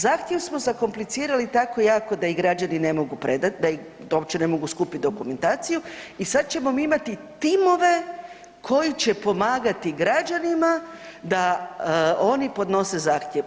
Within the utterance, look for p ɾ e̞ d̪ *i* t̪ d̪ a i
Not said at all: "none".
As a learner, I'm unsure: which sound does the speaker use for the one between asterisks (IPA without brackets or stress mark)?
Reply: a